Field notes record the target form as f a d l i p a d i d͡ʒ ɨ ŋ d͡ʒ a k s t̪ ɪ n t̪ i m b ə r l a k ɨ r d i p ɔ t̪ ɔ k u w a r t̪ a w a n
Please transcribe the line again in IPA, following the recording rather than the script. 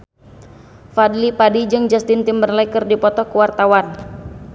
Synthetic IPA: f a d l i p a d i d͡ʒ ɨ ŋ d͡ʒ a s t̪ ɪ n t̪ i m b ə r l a k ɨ r d i p ɔ t̪ ɔ k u w a r t̪ a w a n